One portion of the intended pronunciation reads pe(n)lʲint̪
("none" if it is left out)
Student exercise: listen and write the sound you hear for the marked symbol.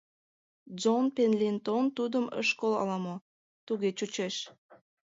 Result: n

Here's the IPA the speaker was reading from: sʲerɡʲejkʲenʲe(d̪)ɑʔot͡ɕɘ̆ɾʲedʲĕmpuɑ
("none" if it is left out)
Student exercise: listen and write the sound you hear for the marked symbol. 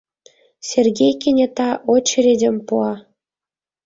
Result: t̪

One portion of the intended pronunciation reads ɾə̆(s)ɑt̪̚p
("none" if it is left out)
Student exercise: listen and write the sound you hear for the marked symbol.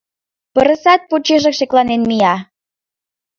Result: s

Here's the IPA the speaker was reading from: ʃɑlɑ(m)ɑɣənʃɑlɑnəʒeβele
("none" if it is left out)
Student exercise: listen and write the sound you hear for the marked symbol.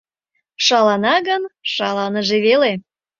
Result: n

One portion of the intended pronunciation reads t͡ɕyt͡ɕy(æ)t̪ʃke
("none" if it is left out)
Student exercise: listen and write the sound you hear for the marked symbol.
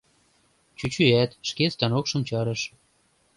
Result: æ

